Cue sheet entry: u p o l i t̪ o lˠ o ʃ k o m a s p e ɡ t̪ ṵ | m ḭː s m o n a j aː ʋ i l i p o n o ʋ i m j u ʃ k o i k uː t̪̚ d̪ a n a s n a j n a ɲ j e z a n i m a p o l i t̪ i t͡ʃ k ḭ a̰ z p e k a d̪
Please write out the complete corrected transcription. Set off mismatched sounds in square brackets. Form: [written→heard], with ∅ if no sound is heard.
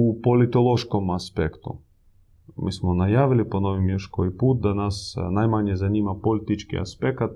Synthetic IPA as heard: u p o l i t̪ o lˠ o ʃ k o m a s p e [ɡ→k] t̪ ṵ | m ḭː s m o n a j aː ʋ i l i p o n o ʋ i m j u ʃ k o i [k→p] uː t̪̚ d̪ a n a s n a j [n→m] a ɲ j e z a n i m a p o l i t̪ i t͡ʃ k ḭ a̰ [z→s] p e k a [d̪→t̪]